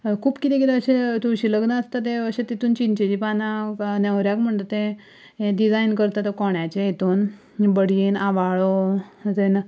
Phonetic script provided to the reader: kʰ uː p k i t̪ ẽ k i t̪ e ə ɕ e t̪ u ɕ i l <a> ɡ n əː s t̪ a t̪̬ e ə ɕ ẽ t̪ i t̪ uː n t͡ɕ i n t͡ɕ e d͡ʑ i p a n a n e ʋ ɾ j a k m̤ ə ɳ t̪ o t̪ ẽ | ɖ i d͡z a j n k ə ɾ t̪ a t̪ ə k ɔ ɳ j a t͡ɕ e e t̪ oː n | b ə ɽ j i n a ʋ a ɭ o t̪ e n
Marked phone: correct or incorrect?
incorrect